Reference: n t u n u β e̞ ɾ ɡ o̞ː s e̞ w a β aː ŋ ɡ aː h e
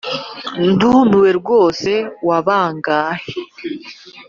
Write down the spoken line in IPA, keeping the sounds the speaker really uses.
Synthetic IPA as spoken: n d u n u w e̞ ɾ ɡ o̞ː s e̞ w a β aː ŋ ɡ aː h e